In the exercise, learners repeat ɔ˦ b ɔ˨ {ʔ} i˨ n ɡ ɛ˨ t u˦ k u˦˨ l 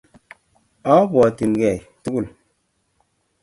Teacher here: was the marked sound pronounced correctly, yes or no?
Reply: no